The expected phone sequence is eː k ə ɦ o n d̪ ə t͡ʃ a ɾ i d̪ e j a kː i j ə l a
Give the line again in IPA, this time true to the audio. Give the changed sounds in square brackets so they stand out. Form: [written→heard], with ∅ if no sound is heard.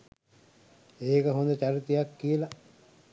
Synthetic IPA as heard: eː k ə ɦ o n d̪ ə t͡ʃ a ɾ i [d̪→t̪] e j a kː i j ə l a